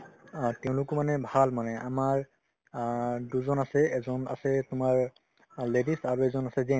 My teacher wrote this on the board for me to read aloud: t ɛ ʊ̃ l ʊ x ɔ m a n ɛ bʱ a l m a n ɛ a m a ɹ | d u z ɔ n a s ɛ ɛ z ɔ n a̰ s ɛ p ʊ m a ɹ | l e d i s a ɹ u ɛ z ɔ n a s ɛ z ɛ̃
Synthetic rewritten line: t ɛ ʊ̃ l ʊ k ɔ m a n ɛ bʱ a l m a n ɛ a m a ɹ | d u z ɔ n a s ɛ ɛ z ɔ n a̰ s ɛ t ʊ m a ɹ | l e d i s a ɹ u ɛ z ɔ n a s ɛ z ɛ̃